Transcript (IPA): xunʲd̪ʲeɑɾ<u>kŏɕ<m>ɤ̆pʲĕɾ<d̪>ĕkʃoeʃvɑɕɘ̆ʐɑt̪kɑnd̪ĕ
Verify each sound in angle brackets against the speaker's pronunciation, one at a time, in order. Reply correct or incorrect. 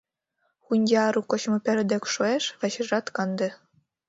correct, correct, correct

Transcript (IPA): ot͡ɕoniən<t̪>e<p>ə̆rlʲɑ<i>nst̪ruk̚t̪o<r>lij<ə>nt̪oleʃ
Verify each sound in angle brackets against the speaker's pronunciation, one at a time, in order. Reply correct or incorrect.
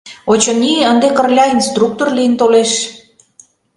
incorrect: d̪, incorrect: k, correct, correct, correct

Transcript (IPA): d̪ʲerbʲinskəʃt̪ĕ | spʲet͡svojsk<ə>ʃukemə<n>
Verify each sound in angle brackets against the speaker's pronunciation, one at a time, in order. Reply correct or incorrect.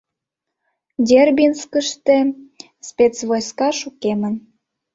incorrect: ɑ, correct

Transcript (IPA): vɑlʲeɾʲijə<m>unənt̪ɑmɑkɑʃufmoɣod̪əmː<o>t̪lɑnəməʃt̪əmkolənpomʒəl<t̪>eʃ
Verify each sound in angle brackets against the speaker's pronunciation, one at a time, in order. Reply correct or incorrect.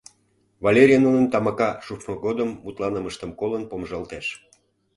incorrect: n, incorrect: u, correct

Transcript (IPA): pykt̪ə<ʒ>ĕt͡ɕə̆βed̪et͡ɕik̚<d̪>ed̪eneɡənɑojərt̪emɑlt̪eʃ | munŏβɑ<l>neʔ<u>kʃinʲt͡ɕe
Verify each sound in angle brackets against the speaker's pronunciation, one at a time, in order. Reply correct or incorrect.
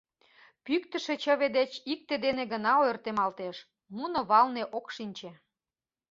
incorrect: ʃ, incorrect: t̪, correct, incorrect: o

